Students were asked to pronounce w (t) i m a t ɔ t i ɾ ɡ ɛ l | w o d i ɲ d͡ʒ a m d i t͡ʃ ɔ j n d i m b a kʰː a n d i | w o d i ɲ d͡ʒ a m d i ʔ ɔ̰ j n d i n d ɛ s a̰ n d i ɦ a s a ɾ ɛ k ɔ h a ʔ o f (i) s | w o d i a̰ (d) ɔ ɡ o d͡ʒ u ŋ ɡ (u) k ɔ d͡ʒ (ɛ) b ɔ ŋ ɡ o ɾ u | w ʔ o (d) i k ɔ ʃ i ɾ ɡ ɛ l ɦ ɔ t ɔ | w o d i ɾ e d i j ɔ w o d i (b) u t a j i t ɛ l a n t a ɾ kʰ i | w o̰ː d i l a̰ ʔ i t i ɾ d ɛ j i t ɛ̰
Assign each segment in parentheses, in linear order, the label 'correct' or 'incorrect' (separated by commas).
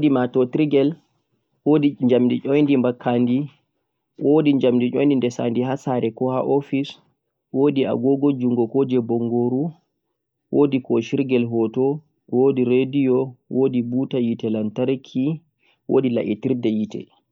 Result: incorrect, correct, incorrect, incorrect, correct, correct, correct